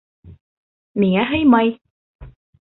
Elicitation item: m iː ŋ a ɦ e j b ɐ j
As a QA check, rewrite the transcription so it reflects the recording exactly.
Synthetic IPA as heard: m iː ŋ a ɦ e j m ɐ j